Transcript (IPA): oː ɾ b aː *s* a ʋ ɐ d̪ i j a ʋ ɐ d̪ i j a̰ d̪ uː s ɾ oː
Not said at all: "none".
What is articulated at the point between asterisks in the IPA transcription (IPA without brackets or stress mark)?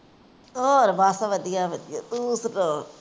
s